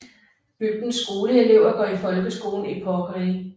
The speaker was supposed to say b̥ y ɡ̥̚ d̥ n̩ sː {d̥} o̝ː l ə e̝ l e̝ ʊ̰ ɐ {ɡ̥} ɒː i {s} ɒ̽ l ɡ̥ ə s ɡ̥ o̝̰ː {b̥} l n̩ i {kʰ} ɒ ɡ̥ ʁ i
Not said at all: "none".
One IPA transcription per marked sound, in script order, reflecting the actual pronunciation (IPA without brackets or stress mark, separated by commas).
ɡ̥, ɡ̥, f, none, pʰ